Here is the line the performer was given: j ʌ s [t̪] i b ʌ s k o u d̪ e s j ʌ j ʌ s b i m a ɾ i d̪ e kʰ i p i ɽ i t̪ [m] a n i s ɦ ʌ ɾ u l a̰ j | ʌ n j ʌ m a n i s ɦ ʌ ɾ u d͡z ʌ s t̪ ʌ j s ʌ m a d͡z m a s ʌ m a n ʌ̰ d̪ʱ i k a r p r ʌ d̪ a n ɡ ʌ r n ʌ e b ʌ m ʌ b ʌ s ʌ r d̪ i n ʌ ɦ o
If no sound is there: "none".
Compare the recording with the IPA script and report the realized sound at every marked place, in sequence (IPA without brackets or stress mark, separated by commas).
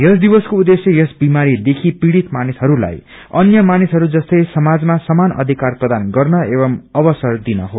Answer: d̪, m